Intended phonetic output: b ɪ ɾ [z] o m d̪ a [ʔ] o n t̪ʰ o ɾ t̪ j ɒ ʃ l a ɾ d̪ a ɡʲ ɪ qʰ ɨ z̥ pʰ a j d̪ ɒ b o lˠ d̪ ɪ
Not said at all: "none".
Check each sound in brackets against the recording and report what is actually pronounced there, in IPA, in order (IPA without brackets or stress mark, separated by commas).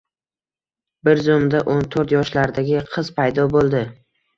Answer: z, ʔ